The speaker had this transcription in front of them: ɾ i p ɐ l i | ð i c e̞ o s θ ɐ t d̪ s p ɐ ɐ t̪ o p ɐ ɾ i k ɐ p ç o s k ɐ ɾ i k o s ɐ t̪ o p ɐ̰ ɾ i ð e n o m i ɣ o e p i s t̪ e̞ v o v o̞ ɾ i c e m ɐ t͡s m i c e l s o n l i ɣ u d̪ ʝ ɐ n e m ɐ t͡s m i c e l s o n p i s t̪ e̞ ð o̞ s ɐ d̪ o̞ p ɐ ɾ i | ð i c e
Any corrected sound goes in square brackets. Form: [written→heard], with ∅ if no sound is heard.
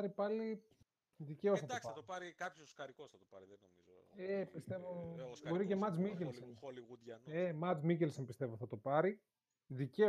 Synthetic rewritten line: ɾ i p ɐ l i | ð i c e̞ o s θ ɐ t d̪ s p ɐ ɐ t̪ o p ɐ ɾ i k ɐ p ç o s k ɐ ɾ i k o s ɐ t̪ o p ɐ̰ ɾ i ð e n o m i [ɣ→z] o e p i s t̪ e̞ v o [v→b] o̞ ɾ i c e m ɐ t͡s m i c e l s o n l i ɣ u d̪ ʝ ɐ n e m ɐ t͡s m i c e l s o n p i s t̪ e̞ [ð→v] o̞ [s→θ] ɐ [d̪→t̪] o̞ p ɐ ɾ i | ð i c e